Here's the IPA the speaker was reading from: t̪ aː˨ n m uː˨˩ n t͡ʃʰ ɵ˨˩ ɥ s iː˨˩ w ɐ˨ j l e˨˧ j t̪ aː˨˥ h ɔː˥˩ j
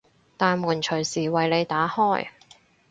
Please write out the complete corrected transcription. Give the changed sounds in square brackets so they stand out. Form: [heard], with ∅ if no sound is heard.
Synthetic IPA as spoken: t̪ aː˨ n m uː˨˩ n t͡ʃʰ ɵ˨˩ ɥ s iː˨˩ w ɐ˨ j l e˨˧ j t̪ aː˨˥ h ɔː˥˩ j

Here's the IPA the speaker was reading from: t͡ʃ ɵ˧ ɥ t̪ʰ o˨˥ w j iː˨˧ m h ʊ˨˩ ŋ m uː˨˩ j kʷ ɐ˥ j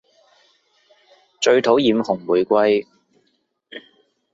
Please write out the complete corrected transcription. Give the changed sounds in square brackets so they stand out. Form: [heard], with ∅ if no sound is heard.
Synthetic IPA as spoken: t͡ʃ ɵ˧ ɥ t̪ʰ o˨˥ w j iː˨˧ m h ʊ˨˩ ŋ m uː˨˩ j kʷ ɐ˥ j

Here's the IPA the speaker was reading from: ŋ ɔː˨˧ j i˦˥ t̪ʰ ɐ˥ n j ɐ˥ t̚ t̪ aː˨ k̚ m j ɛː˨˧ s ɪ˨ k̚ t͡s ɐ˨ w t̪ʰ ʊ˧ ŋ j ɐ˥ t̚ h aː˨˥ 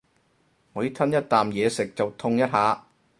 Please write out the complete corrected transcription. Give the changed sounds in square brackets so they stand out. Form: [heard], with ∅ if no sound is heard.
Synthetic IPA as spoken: ŋ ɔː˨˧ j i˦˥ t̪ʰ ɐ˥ n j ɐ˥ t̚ t̪ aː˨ [∅] m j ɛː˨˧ s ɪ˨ k̚ t͡s ɐ˨ w t̪ʰ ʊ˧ ŋ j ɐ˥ t̚ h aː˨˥

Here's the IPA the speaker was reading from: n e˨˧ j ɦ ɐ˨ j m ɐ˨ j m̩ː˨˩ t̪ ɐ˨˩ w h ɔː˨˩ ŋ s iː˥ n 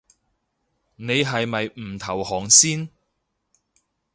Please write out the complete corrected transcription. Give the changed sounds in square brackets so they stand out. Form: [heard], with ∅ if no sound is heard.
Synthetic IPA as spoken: n e˨˧ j ɦ ɐ˨ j m ɐ˨ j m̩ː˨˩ [t̪ʰ] ɐ˨˩ w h ɔː˨˩ ŋ s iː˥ n

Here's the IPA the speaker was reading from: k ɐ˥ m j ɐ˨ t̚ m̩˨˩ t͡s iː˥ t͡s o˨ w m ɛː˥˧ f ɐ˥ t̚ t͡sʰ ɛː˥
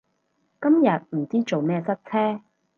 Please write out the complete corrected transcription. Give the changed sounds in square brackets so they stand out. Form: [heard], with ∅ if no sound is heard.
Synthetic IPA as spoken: k ɐ˥ m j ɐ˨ t̚ m̩˨˩ t͡s iː˥ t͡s o˨ w m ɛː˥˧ [s] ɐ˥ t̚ t͡sʰ ɛː˥

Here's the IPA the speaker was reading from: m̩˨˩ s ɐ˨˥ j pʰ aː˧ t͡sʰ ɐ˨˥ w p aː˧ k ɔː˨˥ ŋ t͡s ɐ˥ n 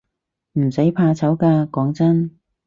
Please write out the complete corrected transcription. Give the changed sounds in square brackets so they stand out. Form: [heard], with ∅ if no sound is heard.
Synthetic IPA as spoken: m̩˨˩ s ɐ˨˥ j pʰ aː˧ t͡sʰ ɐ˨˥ w [k] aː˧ k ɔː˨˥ ŋ t͡s ɐ˥ n

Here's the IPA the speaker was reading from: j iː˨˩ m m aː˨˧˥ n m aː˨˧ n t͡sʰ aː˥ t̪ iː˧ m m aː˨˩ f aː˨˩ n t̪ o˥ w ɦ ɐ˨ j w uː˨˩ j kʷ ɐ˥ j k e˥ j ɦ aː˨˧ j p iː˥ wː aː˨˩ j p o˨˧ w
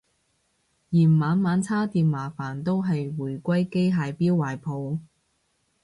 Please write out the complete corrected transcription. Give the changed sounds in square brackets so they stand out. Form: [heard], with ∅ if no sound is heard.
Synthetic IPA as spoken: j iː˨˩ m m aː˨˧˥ n m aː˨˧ n t͡sʰ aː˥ t̪ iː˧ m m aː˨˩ f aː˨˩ n t̪ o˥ w ɦ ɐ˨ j w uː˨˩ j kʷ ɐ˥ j k e˥ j ɦ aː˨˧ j p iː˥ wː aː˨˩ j [pʰ] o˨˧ w

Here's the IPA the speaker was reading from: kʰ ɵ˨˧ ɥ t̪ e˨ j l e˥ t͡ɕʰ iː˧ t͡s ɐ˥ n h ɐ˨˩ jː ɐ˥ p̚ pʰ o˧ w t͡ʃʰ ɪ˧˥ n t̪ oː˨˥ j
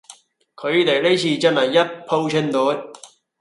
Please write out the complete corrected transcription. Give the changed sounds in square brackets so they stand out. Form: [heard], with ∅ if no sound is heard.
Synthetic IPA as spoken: kʰ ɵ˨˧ ɥ t̪ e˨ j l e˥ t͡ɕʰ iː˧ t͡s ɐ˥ n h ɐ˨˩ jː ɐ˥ [t̚] pʰ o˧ w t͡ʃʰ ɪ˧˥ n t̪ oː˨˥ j

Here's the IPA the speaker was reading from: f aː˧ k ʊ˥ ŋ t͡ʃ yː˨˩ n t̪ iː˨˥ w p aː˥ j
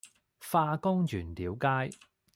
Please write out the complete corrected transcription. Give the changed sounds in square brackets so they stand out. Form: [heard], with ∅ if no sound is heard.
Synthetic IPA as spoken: f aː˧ k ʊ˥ ŋ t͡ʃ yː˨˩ n t̪ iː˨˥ w [k] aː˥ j

